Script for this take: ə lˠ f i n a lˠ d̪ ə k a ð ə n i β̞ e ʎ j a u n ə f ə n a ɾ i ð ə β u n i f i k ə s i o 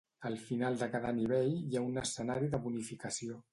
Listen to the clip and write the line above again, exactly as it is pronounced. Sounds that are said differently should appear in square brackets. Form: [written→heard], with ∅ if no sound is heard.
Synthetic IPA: ə lˠ f i n a lˠ d̪ ə k a ð ə n i β̞ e ʎ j a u n ə [f→s] ə n a ɾ i ð ə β u n i f i k ə s i o